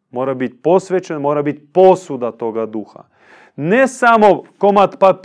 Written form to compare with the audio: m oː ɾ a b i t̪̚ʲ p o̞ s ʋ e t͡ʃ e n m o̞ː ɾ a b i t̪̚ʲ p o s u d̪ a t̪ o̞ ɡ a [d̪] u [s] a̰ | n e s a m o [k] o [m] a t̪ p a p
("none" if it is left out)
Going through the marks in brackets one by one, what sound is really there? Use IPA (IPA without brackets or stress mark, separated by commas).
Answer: d̪, x, k, m